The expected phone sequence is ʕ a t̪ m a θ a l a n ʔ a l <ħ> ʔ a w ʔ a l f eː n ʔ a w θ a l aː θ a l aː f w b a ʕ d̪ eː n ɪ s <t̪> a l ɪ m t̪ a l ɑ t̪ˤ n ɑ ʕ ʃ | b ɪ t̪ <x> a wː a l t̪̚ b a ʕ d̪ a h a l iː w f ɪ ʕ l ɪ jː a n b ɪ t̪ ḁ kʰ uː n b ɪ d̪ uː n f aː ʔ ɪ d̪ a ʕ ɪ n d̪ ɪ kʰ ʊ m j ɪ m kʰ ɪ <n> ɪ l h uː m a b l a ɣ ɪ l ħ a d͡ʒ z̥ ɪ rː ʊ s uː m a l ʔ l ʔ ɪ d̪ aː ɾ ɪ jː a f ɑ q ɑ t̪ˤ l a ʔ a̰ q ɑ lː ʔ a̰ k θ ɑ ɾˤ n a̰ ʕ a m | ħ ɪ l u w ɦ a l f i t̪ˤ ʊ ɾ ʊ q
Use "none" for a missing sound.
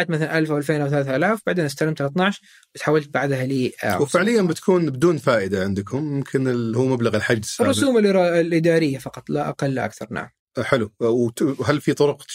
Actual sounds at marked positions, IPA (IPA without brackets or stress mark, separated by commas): f, t̪, ħ, n